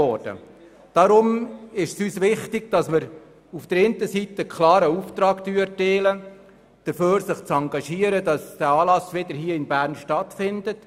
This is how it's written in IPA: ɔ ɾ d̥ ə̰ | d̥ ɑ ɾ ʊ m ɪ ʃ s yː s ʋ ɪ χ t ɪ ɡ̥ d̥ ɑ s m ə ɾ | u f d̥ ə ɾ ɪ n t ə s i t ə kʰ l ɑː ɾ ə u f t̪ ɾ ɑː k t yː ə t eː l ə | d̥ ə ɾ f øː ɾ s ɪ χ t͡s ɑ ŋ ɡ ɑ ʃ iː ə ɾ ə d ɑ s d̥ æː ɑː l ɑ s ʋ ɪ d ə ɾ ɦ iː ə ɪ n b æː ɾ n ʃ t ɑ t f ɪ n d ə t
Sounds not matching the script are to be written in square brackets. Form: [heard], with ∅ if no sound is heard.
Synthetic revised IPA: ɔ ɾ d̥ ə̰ | d̥ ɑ ɾ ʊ m ɪ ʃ s yː s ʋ ɪ χ t ɪ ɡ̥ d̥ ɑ s m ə ɾ | u f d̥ ə ɾ ɪ n t ə s i t ə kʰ l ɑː ɾ ə u f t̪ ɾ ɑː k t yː ə t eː l ə | d̥ ə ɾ f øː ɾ s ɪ χ t͡s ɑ ŋ ɡ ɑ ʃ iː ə ɾ ə d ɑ s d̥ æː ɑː l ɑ s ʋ ɪ d ə ɾ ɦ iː ə ɪ n b æː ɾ n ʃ t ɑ t f ɪ n d ə t